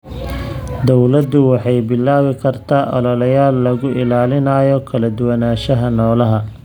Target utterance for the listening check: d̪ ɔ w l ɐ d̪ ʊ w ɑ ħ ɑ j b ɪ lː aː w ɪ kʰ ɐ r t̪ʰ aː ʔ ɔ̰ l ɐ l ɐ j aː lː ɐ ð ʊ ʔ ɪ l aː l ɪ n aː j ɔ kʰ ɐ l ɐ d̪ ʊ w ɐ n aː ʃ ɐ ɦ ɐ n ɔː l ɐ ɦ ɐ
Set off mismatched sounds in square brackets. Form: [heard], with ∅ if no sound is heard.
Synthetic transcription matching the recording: d̪ ɔ w l ɐ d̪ ʊ w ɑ ħ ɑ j b ɪ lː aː w ɪ kʰ ɐ r t̪ʰ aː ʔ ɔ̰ l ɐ l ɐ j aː lː ɐ [ɣ] ʊ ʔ ɪ l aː l ɪ n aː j ɔ kʰ ɐ l ɐ d̪ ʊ w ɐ n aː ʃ ɐ ɦ ɐ n ɔː l ɐ ɦ ɐ